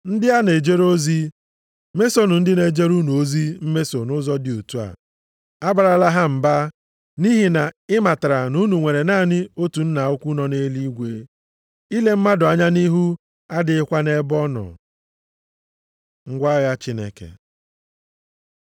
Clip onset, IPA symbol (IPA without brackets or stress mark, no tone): n̩